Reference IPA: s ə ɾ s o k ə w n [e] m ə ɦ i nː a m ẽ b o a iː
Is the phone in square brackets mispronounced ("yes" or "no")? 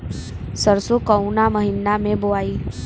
yes